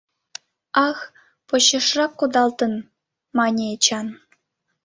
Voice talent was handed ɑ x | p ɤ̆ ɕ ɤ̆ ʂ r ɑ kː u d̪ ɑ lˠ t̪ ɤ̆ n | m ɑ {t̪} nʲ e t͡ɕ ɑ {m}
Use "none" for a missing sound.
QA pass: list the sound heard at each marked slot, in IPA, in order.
none, n

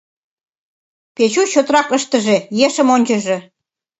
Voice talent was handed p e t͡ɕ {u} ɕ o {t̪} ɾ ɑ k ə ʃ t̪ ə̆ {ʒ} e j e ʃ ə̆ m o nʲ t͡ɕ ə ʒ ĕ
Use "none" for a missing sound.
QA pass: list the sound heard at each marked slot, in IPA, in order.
u, t̪, ʒ

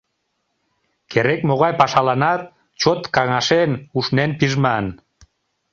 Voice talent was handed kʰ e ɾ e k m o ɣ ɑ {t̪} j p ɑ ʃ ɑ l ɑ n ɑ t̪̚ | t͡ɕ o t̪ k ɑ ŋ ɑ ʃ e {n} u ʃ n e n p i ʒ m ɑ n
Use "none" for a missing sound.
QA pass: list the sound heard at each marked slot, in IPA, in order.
none, n

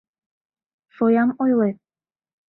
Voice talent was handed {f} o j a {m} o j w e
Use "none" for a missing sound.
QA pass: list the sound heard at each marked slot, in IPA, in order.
f, m

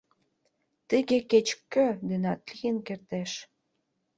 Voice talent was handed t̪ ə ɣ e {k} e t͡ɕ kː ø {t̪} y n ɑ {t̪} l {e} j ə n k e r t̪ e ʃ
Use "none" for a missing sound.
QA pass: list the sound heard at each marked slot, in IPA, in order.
k, d̪, t̪, i

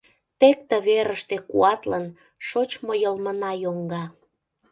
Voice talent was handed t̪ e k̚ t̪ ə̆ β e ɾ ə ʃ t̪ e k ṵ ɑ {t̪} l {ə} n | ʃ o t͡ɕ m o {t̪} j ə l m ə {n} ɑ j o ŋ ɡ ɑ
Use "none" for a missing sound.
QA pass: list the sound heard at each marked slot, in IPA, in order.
t̪, ə, none, n

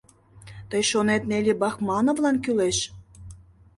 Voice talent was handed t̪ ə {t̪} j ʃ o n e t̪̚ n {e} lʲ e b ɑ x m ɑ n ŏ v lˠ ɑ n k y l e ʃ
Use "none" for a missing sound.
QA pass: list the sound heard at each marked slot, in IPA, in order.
none, e

